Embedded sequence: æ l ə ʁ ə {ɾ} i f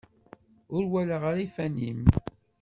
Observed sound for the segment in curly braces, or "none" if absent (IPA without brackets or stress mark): ɾ